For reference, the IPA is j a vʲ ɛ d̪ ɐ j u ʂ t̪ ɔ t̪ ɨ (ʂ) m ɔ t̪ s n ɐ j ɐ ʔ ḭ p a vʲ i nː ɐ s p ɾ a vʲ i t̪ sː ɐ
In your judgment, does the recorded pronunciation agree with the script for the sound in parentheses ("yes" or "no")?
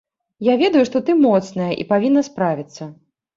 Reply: no